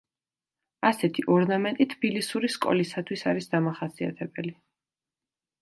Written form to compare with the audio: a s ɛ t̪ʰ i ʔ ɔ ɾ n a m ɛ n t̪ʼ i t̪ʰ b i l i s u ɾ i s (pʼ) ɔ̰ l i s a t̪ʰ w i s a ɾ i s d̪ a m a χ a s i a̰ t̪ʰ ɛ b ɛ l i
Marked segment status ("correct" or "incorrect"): incorrect